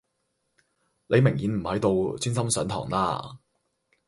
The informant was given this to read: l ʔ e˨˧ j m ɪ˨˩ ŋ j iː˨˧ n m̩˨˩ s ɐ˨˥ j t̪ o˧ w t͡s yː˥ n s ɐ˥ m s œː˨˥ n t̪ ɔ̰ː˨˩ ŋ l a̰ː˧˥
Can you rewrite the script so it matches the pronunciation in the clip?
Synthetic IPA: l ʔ e˨˧ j m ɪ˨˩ ŋ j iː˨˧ n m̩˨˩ h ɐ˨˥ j t̪ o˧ w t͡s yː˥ n s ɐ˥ m s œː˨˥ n t̪ʰ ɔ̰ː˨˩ ŋ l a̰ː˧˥